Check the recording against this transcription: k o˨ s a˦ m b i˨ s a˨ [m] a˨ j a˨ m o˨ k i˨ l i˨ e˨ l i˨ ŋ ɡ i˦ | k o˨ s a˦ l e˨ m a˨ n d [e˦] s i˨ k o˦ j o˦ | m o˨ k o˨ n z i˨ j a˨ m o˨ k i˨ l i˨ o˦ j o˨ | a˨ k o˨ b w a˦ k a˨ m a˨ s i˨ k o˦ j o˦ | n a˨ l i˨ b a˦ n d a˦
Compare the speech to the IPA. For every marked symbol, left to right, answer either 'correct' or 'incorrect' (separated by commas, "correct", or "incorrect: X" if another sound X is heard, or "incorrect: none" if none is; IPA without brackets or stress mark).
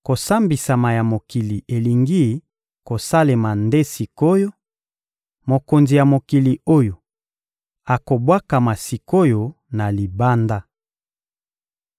correct, correct